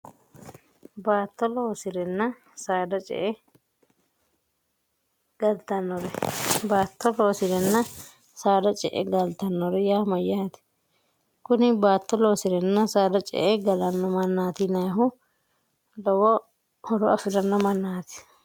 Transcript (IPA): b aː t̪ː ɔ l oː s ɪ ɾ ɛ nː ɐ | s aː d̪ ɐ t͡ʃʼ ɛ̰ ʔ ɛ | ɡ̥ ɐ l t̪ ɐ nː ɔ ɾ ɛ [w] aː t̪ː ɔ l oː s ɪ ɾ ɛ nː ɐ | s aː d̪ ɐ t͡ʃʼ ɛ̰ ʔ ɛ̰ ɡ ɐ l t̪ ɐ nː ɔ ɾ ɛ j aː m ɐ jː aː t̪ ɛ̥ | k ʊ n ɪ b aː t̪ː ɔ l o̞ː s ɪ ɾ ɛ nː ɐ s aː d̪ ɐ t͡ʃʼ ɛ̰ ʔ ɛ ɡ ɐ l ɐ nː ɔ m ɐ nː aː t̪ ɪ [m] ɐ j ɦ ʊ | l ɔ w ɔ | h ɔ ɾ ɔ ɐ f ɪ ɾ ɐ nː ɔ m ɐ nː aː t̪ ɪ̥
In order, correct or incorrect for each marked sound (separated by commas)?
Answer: incorrect, incorrect